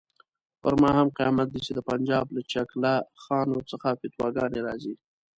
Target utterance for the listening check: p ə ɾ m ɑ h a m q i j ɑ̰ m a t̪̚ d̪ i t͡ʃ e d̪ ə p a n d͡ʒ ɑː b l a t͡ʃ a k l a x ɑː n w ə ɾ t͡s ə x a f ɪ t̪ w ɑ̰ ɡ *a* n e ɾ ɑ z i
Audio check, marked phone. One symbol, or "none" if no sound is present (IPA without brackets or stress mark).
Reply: ɑ